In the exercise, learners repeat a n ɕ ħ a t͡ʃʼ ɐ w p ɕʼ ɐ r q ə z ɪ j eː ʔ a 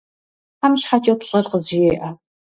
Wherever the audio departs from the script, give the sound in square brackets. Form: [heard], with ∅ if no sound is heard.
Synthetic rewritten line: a [m] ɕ ħ a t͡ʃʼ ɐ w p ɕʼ ɐ r q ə z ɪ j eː ʔ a